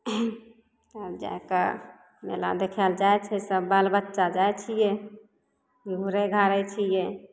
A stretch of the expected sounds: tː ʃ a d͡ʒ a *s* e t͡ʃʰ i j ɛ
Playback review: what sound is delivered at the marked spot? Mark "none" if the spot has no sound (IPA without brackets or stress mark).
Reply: none